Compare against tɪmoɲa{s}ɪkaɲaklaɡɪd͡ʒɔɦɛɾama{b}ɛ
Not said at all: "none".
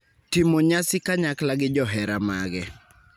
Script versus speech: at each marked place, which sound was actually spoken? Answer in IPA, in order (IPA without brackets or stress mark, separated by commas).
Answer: s, ɡ